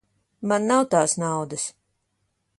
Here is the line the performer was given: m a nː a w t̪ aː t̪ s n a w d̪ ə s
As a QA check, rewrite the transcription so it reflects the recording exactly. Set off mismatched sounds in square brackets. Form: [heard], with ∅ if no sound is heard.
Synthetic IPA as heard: m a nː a w t̪ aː [∅] s n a w d̪ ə s

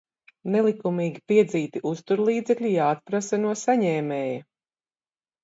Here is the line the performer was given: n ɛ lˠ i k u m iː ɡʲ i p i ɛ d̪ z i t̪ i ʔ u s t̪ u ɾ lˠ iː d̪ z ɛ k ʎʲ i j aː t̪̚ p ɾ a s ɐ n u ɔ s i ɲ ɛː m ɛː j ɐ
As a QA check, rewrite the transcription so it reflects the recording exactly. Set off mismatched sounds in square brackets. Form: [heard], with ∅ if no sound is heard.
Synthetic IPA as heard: n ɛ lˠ i k u m iː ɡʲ i p i ɛ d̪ z [iː] t̪ i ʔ u s t̪ u ɾ lˠ iː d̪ z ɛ k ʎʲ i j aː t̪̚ p ɾ a s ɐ n u ɔ s [a] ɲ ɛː m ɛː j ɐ

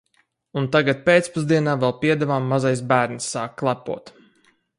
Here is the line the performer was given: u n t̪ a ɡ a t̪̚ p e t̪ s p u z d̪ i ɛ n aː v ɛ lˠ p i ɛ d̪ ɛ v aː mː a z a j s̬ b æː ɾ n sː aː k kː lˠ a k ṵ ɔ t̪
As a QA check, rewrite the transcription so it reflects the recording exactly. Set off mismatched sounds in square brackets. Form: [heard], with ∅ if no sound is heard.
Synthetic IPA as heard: u n t̪ a ɡ a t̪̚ p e t̪ s p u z d̪ i ɛ n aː v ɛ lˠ p i ɛ d̪ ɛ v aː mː a z a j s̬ b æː ɾ n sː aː k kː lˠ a [p] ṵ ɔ t̪

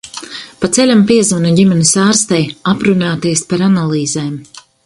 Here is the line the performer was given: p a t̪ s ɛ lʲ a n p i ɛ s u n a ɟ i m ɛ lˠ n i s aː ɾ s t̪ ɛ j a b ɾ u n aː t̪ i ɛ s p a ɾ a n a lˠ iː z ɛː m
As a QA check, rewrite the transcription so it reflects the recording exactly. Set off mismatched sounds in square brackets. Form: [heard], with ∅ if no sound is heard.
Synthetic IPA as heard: p a t̪ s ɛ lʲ a [m] p i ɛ [z] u n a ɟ i m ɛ [∅] n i s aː ɾ s t̪ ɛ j a [p] ɾ u n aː t̪ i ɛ s p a ɾ a n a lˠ iː z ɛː m

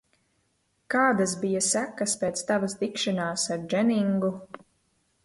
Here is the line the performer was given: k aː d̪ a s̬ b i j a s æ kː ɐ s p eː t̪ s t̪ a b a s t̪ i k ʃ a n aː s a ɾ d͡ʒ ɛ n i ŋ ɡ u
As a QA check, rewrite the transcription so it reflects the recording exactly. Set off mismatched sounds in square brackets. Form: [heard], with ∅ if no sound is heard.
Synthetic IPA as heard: k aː d̪ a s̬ b i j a s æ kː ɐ s p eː t̪ s t̪ a [v] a s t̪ i k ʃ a n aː s a ɾ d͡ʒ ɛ n i ŋ ɡ u

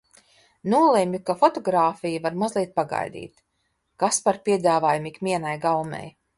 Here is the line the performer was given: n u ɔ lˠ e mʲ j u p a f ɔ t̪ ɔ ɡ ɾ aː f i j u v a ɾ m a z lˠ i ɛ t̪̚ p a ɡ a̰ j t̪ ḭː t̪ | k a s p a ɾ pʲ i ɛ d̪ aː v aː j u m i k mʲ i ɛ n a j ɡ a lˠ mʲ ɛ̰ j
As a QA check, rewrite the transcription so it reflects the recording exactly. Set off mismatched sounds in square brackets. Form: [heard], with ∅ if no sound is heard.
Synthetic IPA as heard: n u ɔ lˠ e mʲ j u [k] a f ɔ t̪ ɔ ɡ ɾ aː f i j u v a ɾ m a z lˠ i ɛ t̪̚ p a ɡ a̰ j [d̪] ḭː t̪ | k a s p a ɾ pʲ i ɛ d̪ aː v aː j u m i k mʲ i ɛ n a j ɡ a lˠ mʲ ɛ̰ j

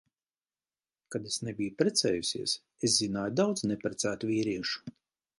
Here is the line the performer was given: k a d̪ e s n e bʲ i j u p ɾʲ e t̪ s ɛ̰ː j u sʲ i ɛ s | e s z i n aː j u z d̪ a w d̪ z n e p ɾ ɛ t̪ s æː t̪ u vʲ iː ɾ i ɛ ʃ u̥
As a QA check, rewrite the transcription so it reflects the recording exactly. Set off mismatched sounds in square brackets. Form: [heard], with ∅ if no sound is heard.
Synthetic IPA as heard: k a d̪ e s n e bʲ i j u p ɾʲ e t̪ s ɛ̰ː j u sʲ i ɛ s | e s z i n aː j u [∅] d̪ a w d̪ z n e p ɾ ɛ t̪ s æː t̪ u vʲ iː ɾ i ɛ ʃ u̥

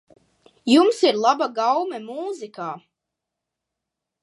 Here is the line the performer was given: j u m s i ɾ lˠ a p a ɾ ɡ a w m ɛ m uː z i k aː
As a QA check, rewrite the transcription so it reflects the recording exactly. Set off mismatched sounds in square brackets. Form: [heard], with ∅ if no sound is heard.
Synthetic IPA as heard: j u m s i ɾ lˠ a [b] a [∅] ɡ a w m ɛ m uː z i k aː

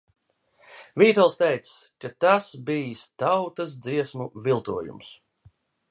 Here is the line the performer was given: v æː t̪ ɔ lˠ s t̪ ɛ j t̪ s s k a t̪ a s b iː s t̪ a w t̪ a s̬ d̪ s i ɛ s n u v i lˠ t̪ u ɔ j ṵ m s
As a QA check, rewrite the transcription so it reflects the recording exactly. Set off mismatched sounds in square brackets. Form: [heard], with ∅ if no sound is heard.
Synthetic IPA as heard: v [iː] t̪ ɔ lˠ s t̪ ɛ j t̪ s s k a t̪ a s b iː s t̪ a w t̪ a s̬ d̪ [z] i ɛ s [m] u v i lˠ t̪ u ɔ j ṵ m s

